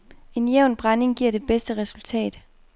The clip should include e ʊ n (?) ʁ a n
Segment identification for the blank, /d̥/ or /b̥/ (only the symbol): b̥